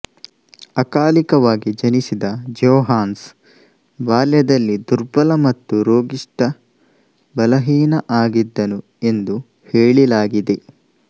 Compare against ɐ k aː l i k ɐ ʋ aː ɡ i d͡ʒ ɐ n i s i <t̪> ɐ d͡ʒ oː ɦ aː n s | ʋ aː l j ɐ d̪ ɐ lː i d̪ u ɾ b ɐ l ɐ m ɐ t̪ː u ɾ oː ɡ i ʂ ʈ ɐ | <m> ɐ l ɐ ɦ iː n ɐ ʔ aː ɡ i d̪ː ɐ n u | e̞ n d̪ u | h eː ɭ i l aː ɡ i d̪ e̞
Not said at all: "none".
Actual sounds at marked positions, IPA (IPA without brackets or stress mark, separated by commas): d̪, b